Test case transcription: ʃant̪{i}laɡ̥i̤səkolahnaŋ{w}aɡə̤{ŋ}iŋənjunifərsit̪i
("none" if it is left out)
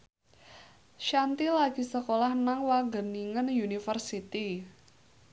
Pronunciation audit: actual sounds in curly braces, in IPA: i, w, n

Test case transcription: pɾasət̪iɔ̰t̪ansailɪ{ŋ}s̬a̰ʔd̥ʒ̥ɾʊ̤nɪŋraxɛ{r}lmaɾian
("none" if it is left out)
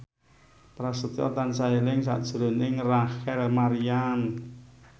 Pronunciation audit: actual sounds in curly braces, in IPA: ŋ, none

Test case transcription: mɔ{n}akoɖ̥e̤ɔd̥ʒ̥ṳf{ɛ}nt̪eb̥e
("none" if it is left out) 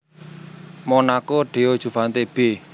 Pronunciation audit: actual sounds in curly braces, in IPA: n, a

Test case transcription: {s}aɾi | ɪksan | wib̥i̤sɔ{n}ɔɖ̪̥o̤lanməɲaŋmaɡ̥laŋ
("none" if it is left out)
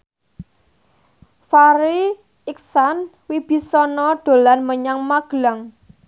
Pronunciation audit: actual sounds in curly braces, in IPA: f, n

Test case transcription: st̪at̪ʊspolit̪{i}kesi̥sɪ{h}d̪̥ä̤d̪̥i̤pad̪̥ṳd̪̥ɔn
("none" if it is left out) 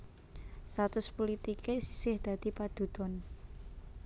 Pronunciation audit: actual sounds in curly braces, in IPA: i, h

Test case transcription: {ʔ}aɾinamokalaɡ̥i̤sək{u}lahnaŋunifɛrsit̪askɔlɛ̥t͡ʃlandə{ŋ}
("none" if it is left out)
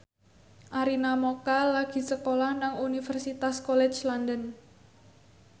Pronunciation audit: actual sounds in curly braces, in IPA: ʔ, o, n

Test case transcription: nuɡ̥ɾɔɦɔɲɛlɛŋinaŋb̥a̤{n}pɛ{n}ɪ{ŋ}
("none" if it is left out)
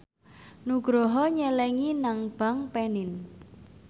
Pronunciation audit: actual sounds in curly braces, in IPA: ŋ, n, n

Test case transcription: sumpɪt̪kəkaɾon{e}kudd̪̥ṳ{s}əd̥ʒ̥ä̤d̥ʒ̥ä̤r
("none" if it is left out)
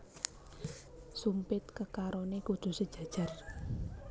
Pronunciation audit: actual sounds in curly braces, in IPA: e, s

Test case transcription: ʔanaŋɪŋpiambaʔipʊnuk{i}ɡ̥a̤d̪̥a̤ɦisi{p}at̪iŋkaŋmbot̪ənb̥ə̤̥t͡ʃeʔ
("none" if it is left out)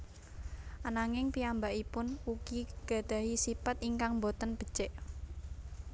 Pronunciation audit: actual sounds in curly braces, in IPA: i, p

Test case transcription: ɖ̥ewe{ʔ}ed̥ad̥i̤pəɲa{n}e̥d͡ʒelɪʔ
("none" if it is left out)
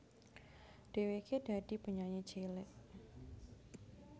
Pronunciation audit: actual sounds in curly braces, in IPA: k, ɲ

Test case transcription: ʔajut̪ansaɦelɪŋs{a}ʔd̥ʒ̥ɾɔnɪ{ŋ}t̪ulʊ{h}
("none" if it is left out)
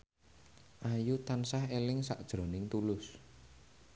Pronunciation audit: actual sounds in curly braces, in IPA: a, ŋ, s

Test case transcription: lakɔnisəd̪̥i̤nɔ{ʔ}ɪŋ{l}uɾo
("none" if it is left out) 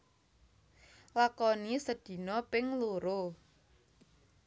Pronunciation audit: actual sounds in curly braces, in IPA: p, l

